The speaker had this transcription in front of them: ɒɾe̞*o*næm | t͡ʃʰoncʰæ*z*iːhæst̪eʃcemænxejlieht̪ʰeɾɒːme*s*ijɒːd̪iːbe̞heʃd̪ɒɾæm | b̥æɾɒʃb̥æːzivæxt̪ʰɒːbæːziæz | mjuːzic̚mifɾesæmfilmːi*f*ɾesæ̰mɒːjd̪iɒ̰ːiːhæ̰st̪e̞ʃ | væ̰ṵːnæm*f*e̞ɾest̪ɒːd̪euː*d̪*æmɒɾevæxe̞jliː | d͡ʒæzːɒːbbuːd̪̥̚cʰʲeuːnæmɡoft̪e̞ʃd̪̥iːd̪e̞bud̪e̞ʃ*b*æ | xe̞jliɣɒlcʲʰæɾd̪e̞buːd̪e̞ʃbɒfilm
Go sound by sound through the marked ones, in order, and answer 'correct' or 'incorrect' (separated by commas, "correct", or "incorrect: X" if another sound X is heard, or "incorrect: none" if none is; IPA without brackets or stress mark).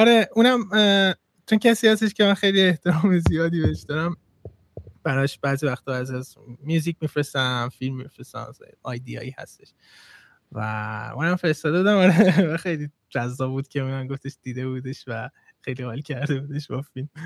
incorrect: u, incorrect: s, incorrect: z, correct, correct, correct, incorrect: v